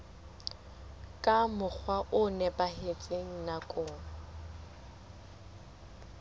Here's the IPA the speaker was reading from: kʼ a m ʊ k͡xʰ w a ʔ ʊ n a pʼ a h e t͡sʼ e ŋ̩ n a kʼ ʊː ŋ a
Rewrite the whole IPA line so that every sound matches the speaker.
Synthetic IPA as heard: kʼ a m ʊ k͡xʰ w a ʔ ʊ n ɛ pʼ a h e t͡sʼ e ŋ̩ n a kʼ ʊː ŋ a